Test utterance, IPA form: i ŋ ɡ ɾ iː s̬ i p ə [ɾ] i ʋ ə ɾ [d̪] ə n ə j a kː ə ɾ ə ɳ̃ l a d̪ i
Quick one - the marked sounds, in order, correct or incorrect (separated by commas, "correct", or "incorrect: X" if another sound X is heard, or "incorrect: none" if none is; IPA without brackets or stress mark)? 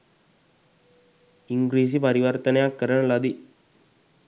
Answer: correct, incorrect: t̪